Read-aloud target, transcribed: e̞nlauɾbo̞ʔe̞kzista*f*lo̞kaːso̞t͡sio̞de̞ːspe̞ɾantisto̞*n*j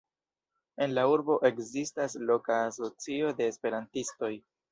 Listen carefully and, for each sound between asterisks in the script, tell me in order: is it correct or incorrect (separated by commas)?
incorrect, incorrect